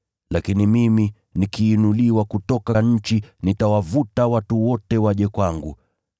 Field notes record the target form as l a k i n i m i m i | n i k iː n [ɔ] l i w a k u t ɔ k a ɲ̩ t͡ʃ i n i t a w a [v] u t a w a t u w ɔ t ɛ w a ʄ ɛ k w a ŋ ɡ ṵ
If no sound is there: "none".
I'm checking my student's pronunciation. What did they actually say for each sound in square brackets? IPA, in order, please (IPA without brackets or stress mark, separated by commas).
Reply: u, v